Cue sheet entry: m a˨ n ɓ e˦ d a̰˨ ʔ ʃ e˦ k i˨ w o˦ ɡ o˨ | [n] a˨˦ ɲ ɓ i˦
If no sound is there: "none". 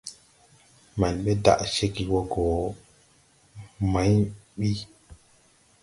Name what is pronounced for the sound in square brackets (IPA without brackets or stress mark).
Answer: m